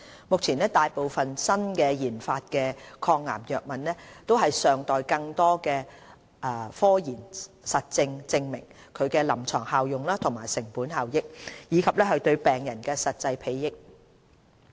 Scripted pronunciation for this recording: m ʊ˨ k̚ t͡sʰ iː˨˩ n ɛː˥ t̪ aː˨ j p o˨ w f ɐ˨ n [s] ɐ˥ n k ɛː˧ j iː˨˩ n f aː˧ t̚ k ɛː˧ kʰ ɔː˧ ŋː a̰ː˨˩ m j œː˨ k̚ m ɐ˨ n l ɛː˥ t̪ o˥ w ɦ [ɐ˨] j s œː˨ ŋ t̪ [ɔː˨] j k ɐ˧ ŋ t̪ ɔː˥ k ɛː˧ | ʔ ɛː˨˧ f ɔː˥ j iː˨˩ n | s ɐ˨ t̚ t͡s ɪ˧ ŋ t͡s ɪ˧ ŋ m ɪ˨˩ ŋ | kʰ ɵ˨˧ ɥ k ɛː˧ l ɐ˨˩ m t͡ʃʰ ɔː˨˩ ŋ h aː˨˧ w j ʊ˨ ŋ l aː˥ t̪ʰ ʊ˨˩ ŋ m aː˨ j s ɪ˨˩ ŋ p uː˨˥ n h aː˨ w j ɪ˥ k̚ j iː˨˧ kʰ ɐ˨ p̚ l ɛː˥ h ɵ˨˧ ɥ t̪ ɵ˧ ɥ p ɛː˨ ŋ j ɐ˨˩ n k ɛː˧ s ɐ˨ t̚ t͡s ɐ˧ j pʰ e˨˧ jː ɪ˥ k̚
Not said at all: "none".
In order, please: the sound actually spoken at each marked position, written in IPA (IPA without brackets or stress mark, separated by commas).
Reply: s, ɐ˨, ɔː˨